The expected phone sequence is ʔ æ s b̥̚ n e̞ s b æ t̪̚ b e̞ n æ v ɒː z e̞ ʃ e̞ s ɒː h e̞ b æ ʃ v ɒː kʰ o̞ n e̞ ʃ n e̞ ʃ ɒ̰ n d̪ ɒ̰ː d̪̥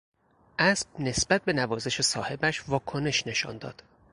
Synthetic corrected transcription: ʔ æ s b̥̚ n e̞ s b æ t̪̚ b e̞ n æ v ɒː z e̞ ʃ e̞ s ɒː h e̞ b æ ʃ v ɒː kʰ o̞ n e̞ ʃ n e̞ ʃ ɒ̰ n d̪ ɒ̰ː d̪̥